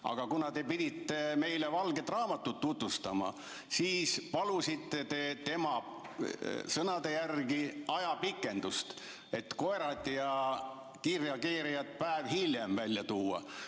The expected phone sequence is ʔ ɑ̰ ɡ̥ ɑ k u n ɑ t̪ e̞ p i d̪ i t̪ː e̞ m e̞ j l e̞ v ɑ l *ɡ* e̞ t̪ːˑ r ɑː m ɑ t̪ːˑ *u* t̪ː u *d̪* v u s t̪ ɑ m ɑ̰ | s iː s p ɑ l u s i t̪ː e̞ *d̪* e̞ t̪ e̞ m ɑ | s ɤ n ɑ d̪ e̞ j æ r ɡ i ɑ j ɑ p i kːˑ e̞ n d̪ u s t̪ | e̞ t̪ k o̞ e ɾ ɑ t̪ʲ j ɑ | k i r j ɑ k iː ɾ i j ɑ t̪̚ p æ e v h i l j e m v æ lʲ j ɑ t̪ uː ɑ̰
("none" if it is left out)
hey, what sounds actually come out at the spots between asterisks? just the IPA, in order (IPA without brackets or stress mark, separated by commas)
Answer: ɡ, u, t̪, t̪